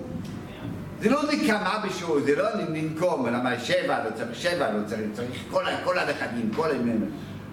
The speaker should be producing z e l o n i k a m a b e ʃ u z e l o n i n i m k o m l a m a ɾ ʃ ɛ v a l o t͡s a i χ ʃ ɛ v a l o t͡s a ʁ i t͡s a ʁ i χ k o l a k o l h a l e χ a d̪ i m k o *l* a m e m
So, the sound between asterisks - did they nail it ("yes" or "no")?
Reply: yes